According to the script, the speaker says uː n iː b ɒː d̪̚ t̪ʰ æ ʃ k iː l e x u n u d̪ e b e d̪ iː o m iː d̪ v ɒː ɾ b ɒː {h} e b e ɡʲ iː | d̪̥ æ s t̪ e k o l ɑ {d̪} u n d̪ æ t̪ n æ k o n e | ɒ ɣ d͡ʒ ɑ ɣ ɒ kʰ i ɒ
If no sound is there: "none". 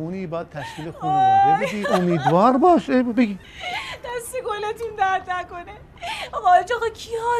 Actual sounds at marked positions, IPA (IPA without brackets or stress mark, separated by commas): ʃ, t̪